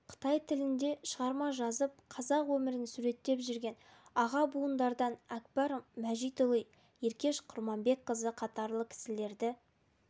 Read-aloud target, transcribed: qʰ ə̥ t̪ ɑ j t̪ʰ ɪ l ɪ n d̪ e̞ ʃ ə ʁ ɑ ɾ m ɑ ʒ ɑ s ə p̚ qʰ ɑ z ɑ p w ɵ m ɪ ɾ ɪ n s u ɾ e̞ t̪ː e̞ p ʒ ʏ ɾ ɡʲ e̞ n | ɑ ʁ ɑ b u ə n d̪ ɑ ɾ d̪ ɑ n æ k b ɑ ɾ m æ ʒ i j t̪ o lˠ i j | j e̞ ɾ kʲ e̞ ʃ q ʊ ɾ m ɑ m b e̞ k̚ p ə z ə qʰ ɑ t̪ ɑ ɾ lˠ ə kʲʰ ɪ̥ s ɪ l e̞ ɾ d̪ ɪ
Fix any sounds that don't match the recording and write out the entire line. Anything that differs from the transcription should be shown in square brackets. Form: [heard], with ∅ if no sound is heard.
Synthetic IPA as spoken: qʰ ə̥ t̪ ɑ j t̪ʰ ɪ l ɪ n d̪ e̞ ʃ ə ʁ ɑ ɾ m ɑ ʒ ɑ [z] ə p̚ qʰ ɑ z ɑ [q] w ɵ m ɪ ɾ ɪ n s u ɾ e̞ t̪ː e̞ p ʒ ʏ ɾ ɡʲ e̞ n | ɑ ʁ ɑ b u ə n d̪ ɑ ɾ d̪ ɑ n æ k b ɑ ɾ m æ ʒ i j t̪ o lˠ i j | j e̞ ɾ kʲ e̞ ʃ [qʰ] ʊ ɾ m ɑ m b e̞ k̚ [q] ə z ə qʰ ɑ t̪ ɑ ɾ lˠ ə kʲʰ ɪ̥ s ɪ l e̞ ɾ d̪ ɪ